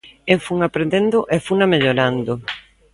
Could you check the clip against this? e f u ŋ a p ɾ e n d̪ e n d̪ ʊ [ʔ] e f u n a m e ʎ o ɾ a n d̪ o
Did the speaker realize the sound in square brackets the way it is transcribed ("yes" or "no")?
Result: yes